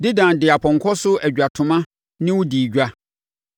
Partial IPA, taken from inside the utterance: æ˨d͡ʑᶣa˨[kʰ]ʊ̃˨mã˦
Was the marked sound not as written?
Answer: yes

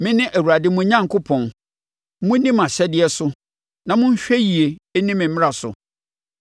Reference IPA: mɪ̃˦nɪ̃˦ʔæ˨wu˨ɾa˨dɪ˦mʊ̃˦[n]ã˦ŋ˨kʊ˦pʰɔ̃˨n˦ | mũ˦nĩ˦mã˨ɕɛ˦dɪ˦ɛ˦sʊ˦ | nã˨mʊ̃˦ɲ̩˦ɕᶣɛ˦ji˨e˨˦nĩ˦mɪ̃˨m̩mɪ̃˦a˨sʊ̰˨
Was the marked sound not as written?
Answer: yes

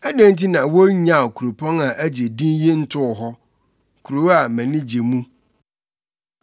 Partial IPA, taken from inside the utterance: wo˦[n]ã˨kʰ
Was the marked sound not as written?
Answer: yes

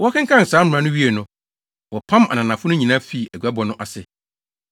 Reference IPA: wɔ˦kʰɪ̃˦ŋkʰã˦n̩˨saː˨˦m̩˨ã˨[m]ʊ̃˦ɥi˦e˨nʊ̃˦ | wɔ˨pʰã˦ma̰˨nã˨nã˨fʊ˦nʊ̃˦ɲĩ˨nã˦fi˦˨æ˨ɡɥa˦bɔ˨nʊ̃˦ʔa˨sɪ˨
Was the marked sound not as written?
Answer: yes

